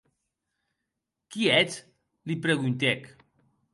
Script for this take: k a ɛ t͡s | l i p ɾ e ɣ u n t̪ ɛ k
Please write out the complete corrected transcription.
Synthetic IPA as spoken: k i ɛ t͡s | l i p ɾ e ɣ u n t̪ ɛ k